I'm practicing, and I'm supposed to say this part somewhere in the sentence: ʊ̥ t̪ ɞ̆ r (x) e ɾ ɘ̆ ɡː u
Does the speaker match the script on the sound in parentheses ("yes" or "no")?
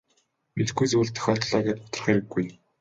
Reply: no